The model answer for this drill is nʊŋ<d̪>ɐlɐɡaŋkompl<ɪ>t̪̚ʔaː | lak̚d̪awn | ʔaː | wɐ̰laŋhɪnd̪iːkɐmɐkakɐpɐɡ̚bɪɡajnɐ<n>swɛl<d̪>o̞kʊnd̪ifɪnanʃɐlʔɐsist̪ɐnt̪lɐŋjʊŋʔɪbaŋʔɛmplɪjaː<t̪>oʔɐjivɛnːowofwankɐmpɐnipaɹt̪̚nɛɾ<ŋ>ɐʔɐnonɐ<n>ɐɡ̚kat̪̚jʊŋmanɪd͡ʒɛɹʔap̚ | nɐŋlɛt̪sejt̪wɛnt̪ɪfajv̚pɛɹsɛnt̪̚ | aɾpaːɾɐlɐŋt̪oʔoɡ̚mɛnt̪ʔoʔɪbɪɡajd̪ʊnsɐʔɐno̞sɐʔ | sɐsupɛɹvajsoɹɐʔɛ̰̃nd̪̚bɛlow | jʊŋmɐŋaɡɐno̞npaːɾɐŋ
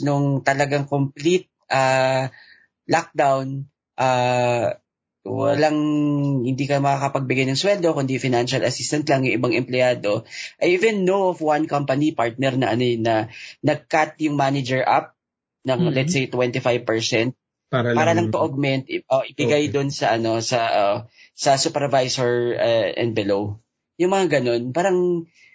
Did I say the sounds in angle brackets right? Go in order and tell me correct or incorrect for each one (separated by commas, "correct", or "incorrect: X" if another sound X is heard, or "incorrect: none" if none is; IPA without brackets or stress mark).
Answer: incorrect: t̪, incorrect: i, incorrect: ŋ, correct, incorrect: d̪, incorrect: n, correct